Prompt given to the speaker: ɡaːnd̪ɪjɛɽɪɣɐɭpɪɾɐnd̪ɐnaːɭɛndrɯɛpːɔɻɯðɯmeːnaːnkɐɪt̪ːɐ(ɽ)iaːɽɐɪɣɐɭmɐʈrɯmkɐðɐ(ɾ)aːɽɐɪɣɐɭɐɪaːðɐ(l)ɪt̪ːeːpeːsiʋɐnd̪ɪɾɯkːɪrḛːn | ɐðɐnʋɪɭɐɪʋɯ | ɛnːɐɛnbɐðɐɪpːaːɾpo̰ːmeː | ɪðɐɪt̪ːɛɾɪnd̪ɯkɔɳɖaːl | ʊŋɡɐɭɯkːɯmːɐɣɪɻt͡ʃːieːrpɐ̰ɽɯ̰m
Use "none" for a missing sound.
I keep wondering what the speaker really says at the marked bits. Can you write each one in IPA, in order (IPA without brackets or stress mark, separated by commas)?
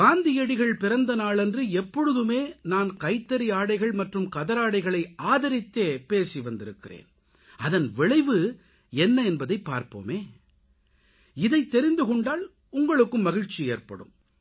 ɾ, ɾ, ɾ